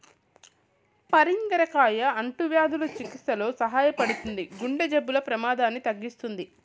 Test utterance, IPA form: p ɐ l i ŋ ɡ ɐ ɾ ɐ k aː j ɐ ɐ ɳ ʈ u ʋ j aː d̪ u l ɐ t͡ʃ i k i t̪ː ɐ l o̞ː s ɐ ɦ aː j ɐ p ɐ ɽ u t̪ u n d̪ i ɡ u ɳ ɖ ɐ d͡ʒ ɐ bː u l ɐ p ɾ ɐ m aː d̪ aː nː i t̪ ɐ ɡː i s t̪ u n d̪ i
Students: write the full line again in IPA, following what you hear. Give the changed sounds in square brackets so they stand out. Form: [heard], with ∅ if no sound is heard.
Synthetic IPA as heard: p ɐ [ɾ] i ŋ ɡ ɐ ɾ ɐ k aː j ɐ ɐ ɳ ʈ u ʋ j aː d̪ u l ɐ t͡ʃ i k i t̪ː ɐ l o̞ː s ɐ ɦ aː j ɐ p ɐ ɽ u t̪ u n d̪ i ɡ u ɳ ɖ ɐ d͡ʒ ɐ bː u l ɐ p ɾ ɐ m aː d̪ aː nː i t̪ ɐ ɡː i s t̪ u n d̪ i